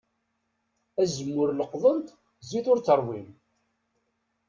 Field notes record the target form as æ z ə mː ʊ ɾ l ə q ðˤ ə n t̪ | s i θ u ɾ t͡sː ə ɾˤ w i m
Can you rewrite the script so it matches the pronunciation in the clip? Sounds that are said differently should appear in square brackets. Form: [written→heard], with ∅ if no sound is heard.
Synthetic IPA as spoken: æ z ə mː ʊ ɾ l ə q ðˤ ə n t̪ | [s→z] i θ [u→ʊ] ɾ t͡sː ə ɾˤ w i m